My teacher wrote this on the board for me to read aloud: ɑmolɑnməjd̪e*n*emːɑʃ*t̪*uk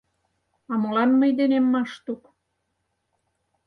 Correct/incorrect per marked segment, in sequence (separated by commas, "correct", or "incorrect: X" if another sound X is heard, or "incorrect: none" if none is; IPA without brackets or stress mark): correct, correct